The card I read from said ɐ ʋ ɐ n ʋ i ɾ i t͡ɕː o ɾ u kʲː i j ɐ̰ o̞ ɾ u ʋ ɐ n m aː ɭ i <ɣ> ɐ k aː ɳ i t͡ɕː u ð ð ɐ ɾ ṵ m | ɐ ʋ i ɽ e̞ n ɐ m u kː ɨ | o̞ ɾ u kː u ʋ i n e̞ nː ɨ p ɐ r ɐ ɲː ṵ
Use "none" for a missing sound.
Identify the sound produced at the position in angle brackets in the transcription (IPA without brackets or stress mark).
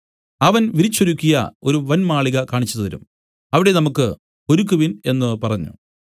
ɣ